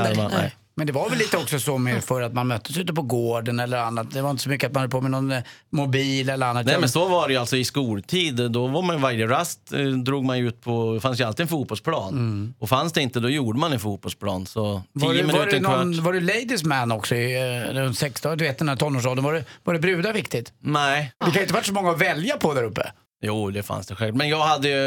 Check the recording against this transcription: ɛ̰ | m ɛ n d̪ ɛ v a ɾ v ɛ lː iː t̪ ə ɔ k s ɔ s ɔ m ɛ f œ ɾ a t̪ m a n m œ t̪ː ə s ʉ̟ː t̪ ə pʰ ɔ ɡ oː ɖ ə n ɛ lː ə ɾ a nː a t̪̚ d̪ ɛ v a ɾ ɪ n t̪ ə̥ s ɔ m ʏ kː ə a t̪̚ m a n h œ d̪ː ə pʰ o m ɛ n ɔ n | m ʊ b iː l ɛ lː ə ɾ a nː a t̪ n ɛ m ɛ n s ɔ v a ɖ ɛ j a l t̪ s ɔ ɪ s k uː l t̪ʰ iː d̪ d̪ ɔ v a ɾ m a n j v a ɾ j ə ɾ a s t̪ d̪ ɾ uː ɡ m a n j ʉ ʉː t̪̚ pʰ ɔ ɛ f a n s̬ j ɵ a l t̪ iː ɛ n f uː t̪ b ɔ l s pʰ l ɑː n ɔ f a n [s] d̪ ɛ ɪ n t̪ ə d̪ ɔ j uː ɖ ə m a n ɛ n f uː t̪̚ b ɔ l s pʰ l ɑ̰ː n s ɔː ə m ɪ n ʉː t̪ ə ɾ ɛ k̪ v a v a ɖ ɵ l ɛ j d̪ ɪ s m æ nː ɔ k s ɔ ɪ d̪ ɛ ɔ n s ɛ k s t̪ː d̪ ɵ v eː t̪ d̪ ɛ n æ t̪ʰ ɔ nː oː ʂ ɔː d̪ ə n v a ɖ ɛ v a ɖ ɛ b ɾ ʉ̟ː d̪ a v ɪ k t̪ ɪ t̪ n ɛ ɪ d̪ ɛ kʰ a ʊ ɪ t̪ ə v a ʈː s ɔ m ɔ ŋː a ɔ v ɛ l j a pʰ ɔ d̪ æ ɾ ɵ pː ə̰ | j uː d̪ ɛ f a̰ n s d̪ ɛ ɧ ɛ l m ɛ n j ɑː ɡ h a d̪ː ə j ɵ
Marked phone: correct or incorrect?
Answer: correct